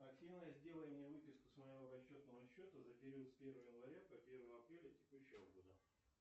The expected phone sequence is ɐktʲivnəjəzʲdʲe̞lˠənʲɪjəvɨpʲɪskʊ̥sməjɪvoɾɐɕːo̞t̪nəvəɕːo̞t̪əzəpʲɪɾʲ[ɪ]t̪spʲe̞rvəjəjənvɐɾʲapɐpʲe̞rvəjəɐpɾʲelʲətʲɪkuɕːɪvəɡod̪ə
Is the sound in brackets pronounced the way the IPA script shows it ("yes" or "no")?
no